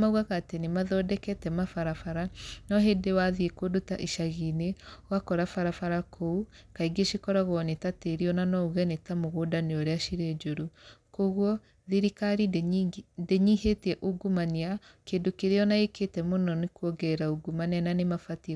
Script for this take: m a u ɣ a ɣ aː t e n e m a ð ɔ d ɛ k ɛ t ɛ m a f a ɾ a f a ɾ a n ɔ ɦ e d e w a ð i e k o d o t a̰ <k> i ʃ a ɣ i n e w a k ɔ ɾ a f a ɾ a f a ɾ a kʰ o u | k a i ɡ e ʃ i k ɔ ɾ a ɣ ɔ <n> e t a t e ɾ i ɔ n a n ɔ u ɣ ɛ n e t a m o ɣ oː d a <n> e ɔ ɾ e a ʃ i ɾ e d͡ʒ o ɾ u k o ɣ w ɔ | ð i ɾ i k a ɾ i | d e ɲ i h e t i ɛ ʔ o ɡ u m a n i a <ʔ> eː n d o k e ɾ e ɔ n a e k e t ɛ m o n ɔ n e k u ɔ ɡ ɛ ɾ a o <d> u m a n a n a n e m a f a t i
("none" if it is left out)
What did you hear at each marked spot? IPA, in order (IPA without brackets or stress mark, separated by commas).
ʔ, n, n, k, ɡ